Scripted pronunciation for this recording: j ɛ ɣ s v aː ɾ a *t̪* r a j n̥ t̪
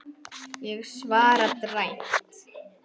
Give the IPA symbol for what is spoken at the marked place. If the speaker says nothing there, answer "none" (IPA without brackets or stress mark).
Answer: t̪